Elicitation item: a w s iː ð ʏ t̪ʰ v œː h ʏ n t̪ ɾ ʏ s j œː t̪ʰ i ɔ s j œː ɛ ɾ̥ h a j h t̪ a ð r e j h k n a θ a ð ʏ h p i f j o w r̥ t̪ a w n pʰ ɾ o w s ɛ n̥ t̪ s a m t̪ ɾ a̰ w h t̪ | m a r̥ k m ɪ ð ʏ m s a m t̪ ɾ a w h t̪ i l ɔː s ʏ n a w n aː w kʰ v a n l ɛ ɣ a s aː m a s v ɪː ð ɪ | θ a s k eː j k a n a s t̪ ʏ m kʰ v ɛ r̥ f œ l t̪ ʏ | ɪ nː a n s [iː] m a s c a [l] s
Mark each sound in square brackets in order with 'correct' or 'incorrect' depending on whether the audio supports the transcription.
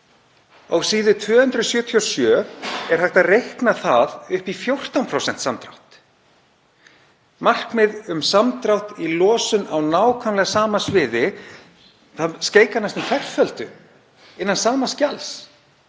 incorrect: aː, correct

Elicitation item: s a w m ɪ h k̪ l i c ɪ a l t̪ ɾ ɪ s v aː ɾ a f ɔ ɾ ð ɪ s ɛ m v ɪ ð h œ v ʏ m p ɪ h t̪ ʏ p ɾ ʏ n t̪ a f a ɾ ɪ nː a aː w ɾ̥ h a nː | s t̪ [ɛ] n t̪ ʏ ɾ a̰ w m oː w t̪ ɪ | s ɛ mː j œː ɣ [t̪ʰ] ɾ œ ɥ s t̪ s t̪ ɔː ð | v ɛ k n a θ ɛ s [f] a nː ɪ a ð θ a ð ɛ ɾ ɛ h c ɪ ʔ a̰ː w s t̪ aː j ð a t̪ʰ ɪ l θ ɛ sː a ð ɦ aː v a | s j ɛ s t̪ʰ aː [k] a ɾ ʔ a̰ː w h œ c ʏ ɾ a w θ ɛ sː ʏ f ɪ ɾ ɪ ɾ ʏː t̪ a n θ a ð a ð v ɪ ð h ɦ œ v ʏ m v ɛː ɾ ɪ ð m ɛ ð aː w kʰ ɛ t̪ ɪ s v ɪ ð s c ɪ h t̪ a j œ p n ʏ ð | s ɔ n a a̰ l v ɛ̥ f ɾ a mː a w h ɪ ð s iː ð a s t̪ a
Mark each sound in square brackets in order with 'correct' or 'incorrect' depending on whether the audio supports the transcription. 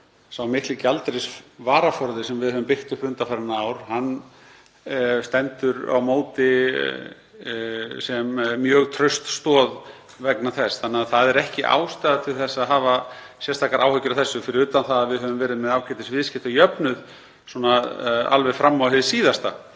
correct, correct, incorrect: θ, correct

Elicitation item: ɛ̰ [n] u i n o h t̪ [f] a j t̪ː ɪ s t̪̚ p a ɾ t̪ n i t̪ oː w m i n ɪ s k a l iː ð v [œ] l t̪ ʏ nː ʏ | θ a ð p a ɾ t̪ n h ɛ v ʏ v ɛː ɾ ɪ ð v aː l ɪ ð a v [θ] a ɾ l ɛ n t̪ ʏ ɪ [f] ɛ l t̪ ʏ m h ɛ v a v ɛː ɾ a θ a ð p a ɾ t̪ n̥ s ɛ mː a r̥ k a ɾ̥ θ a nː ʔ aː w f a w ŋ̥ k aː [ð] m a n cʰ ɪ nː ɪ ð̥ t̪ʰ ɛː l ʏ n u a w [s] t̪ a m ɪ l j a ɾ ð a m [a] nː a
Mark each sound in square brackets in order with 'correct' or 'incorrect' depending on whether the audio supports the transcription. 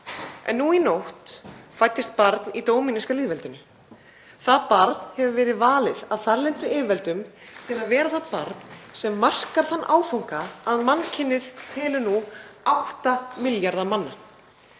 incorrect: nː, correct, incorrect: ɛ, correct, incorrect: v, correct, incorrect: h, correct

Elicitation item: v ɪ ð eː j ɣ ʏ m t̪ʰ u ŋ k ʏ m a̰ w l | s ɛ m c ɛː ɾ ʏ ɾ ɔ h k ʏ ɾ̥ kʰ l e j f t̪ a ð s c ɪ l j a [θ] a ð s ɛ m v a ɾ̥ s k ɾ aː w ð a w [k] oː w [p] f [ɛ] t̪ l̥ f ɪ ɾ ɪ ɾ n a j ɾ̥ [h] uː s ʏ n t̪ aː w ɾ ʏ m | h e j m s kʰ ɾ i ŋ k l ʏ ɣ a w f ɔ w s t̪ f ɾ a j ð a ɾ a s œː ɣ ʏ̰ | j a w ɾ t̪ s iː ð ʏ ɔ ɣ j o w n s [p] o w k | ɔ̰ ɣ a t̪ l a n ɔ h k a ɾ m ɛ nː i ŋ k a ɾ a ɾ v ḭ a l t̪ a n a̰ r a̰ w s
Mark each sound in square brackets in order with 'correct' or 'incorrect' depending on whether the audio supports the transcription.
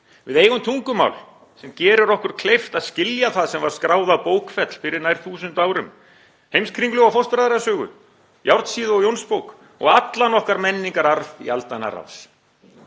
correct, incorrect: p, incorrect: k, correct, incorrect: θ, correct

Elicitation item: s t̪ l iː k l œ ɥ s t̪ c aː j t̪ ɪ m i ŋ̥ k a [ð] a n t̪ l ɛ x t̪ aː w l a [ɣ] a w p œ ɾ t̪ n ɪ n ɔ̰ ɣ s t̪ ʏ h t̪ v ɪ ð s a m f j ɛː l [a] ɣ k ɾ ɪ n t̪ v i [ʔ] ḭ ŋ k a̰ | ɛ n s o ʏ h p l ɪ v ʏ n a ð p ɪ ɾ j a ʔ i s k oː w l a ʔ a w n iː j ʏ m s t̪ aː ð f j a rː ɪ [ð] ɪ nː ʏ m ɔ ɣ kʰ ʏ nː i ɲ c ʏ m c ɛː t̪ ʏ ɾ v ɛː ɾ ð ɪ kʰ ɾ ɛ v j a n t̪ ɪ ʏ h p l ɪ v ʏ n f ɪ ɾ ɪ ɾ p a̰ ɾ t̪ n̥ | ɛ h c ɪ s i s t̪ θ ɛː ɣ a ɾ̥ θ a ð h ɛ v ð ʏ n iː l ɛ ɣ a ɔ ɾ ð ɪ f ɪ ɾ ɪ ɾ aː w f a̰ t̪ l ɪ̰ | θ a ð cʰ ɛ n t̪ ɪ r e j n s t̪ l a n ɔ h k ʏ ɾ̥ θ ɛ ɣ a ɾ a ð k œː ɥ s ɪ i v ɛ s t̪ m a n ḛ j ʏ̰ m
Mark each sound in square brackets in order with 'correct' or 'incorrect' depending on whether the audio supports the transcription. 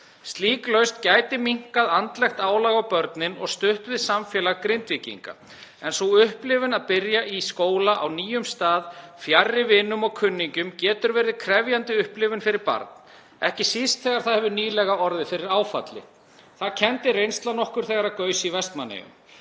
correct, correct, correct, incorrect: c, incorrect: v

